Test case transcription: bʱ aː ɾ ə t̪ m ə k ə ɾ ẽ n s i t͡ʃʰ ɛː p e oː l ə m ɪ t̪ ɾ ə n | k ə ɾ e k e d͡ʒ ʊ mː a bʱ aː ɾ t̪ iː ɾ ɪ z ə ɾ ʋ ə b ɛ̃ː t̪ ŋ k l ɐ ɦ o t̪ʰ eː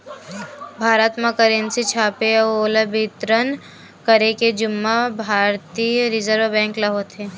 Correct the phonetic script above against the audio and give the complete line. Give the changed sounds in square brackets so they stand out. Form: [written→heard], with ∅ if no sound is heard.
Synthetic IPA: bʱ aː ɾ ə t̪ m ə k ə ɾ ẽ n s i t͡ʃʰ [ɛː→aː] p e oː l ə [m→b] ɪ t̪ ɾ ə n | k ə ɾ e k e d͡ʒ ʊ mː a bʱ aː ɾ t̪ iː ɾ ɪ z ə ɾ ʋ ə b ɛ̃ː [t̪→∅] ŋ k l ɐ ɦ o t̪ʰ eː